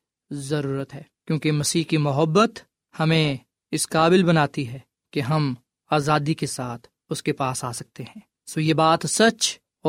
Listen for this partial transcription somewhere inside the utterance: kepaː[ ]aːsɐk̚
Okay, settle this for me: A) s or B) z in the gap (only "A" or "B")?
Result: A